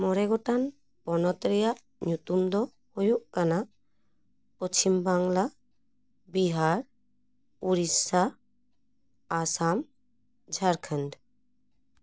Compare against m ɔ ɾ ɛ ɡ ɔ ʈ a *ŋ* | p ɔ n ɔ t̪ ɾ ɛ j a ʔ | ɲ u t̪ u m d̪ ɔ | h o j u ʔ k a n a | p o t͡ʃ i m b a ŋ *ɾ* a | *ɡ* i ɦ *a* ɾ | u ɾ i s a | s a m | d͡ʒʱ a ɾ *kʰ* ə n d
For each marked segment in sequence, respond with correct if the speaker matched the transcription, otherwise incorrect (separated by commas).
incorrect, incorrect, incorrect, correct, correct